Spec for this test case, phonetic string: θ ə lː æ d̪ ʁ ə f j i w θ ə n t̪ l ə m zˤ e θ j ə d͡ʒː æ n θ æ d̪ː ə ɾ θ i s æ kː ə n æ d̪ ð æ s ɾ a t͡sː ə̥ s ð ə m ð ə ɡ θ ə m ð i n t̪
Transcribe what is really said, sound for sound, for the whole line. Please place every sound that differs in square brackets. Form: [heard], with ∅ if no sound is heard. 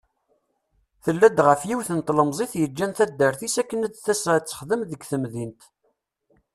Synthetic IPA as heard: θ ə lː æ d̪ ʁ ə f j i w θ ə n t̪ l ə m zˤ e θ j ə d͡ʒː æ n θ æ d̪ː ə ɾ θ i s æ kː ə n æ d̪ [θ] æ s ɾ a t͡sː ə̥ [χ] ð ə m ð ə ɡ θ ə m ð i n t̪